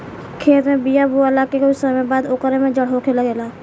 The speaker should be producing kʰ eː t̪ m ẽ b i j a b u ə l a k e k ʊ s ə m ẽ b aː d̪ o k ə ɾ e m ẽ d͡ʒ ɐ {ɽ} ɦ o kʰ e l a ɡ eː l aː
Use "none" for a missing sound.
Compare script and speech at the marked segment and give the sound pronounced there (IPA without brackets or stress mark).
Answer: ɽ